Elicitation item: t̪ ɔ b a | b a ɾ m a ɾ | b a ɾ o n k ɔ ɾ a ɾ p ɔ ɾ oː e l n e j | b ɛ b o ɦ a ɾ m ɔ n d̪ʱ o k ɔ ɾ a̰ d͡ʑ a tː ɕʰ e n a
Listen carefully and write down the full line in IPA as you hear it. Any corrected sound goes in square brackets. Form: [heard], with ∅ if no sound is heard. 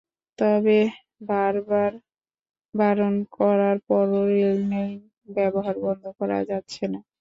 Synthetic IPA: t̪ ɔ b [e] | b a ɾ [b] a ɾ | b a ɾ o n k ɔ ɾ a ɾ p ɔ ɾ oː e l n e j | b ɛ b o ɦ a ɾ [b] ɔ n d̪ʱ o k ɔ ɾ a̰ d͡ʑ a tː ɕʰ e n a